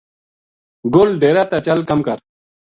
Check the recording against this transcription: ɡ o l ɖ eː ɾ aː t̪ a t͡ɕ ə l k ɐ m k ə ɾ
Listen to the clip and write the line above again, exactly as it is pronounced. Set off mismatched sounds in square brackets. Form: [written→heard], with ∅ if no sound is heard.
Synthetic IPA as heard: ɡ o l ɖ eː ɾ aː t̪ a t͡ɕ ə l k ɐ m k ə ɾ